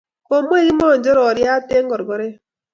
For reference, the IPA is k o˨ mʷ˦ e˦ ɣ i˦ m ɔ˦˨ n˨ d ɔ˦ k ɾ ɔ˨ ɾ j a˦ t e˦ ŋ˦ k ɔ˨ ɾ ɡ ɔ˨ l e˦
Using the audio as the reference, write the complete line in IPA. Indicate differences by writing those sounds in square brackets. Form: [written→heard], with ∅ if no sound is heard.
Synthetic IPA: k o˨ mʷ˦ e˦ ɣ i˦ m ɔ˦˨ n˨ [d→d͡ʒ] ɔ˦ [k→∅] ɾ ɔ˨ ɾ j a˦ t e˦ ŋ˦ [k→ɡ] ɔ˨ ɾ ɡ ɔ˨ [l→ɾ] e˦